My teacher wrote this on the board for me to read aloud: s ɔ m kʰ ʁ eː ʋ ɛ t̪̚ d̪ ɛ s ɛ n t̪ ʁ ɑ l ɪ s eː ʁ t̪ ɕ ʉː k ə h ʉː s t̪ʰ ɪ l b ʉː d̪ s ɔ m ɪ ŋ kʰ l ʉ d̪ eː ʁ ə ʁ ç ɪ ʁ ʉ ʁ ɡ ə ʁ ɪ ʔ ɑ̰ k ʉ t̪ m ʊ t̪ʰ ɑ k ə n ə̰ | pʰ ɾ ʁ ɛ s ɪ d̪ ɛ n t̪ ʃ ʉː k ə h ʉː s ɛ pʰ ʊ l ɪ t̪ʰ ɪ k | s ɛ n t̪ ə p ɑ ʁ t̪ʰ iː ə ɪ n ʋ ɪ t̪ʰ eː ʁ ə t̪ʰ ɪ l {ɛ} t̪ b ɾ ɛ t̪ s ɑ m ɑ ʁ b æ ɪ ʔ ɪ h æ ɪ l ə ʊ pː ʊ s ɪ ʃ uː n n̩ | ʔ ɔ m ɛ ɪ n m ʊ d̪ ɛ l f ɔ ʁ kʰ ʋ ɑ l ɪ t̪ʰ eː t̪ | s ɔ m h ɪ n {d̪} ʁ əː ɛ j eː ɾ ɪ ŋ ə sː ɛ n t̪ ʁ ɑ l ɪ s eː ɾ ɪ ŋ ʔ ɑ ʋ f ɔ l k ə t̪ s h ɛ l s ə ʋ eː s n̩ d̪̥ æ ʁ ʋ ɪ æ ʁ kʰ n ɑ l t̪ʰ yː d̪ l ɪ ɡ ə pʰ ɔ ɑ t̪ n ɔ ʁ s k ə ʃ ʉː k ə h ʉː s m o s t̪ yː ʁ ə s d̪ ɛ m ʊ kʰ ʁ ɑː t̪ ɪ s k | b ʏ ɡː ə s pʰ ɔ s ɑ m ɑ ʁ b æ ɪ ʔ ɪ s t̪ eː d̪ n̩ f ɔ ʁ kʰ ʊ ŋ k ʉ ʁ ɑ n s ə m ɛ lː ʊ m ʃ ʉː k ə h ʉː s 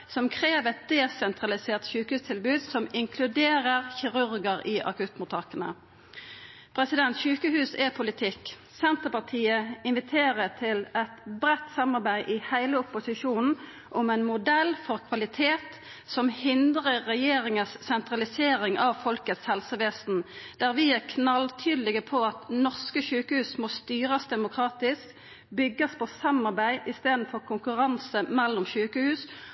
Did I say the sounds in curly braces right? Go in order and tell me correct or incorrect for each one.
correct, correct

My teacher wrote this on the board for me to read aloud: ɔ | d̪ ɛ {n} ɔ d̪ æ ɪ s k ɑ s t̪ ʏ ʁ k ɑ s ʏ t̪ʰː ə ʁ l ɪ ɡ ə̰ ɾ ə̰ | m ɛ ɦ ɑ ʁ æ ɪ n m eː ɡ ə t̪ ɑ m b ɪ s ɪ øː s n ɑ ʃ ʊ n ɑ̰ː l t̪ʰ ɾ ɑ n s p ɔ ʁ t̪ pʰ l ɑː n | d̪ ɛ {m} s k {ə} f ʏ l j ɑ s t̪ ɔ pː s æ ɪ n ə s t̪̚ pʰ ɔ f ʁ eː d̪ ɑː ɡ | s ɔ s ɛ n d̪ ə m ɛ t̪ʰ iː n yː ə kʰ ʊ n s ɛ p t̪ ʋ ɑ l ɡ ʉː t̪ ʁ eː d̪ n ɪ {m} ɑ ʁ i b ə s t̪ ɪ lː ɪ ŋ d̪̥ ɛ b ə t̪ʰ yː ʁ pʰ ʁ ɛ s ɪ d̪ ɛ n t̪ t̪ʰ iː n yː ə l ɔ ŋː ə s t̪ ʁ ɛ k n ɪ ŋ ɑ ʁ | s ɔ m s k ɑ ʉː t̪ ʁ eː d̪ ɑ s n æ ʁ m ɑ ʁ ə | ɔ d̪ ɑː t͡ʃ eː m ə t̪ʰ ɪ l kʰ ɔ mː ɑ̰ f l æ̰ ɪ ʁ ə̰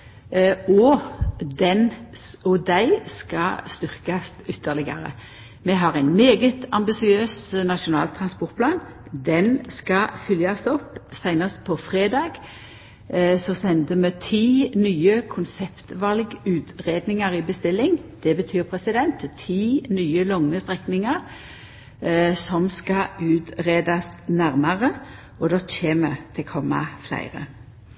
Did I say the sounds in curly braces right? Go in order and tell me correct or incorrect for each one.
correct, incorrect: n, incorrect: ɑ, incorrect: ŋ

